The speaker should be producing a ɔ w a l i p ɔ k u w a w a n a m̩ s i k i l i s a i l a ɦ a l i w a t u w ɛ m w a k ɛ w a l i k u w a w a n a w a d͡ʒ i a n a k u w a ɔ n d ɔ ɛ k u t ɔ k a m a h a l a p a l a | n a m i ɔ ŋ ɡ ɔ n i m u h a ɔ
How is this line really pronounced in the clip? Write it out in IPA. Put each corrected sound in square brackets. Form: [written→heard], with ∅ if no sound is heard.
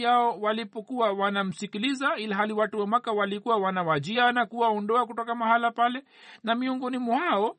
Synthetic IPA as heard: a ɔ w a l i p ɔ k u w a w a n a m̩ s i k i l i [s→z] a i l a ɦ a l i w a t u w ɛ m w a k [ɛ→a] w a l i k u w a w a n a w a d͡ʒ i a n a k u w a ɔ n d ɔ [ɛ→a] k u t ɔ k a m a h a l a p a l [a→ɛ] | n a m i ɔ ŋ ɡ ɔ n i m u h a ɔ